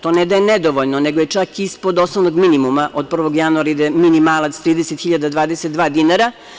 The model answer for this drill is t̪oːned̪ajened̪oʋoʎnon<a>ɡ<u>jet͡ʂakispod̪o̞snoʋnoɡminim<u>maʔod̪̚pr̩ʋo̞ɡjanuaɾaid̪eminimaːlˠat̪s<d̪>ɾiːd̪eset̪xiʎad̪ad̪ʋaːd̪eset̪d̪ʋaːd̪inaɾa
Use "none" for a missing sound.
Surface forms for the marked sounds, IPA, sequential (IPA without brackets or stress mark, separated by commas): e, o, u, t̪